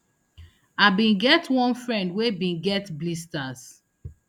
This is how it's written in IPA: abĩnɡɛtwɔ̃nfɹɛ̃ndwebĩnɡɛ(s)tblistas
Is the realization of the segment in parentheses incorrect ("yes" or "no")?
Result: yes